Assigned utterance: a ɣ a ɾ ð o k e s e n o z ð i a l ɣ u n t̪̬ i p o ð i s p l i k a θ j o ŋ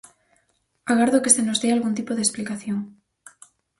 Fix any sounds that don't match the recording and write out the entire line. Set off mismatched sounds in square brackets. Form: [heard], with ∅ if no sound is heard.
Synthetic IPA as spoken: a ɣ a ɾ ð o k e s e n o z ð [e] a l ɣ u n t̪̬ i p o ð [e] s p l i k a θ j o ŋ